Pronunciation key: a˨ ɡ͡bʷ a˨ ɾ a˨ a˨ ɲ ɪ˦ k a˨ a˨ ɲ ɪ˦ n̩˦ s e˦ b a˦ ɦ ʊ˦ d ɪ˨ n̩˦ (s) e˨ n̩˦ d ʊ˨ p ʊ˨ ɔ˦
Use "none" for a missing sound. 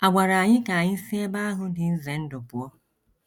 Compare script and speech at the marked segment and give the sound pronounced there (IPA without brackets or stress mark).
z